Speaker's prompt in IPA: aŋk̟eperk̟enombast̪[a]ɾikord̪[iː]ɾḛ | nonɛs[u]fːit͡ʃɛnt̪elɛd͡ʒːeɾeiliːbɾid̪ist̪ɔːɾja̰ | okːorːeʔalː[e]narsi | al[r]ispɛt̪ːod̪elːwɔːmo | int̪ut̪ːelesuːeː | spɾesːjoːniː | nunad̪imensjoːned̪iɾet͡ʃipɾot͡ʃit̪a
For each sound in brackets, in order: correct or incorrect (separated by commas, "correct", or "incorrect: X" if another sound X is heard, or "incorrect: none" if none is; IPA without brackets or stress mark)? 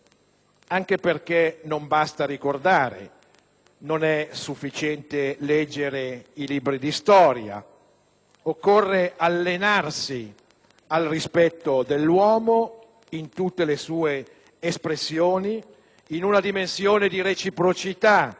correct, incorrect: aː, correct, correct, correct